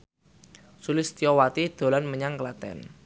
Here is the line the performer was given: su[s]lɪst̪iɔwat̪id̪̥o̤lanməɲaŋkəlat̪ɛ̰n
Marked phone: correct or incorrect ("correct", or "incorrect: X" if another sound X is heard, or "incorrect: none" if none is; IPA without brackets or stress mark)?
incorrect: none